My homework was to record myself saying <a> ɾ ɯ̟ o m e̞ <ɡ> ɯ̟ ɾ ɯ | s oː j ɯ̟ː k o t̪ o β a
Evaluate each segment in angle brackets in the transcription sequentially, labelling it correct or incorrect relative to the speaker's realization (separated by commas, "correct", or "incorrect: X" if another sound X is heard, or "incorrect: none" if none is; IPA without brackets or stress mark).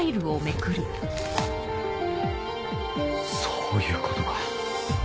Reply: incorrect: i, incorrect: k